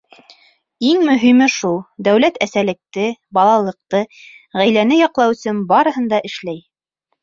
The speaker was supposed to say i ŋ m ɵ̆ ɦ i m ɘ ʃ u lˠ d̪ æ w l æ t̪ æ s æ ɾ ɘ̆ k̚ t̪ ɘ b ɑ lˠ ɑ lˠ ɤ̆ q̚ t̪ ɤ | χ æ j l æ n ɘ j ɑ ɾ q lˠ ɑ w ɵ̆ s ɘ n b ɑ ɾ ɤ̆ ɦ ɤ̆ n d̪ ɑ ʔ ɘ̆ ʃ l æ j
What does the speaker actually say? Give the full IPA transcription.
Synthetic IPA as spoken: i ŋ m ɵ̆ ɦ i m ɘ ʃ u lˠ d̪ æ w l æ t̪ æ s æ l ɘ̆ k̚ t̪ ɘ b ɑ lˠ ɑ lˠ ɤ̆ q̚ t̪ ɤ | ʁ æ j l æ n ɘ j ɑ q lˠ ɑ w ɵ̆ s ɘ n b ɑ ɾ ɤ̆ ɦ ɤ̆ n d̪ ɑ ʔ ɘ̆ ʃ l æ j